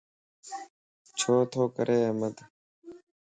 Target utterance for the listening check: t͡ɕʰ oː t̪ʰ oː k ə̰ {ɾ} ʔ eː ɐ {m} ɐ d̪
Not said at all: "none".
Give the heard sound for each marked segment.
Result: ɾ, m

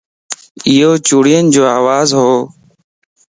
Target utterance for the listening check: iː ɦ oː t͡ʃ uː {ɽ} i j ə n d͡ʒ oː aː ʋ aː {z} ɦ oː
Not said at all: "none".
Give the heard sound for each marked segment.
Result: ɽ, z

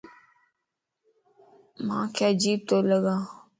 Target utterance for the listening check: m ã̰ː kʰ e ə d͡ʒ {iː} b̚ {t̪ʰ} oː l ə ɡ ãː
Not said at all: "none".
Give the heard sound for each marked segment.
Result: iː, t̪

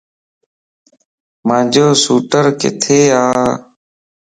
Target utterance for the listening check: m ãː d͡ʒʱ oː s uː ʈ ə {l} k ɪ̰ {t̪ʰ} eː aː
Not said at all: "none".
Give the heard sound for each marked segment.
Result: ɾ, t̪ʰ

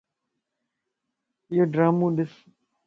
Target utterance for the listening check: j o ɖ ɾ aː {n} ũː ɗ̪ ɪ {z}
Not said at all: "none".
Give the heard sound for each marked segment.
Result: m, s

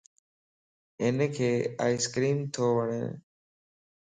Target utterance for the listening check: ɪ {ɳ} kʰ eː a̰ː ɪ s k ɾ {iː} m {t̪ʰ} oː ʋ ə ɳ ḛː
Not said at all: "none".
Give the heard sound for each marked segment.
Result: n, iː, t̪ʰ

